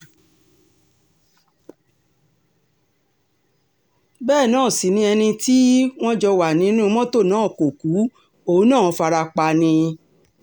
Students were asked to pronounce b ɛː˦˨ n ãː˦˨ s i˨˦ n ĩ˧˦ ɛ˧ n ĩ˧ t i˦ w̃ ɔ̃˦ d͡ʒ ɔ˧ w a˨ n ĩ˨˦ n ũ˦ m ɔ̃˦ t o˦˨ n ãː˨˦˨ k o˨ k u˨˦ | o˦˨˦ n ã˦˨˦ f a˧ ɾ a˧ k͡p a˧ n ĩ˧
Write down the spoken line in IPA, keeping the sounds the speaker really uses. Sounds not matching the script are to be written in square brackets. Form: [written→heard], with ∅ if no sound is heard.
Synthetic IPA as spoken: b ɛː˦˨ n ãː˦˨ s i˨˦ n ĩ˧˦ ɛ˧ n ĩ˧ t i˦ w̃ ɔ̃˦ d͡ʒ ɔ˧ w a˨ n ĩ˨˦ n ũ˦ m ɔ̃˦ t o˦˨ n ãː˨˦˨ k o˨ k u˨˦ | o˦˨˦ n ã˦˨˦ f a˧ ɾ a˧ k͡p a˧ n ĩ˧